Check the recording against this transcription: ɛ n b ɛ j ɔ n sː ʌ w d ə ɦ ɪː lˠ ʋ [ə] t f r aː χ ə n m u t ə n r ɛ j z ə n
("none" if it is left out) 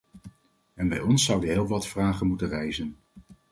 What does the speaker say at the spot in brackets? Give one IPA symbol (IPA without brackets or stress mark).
ɑ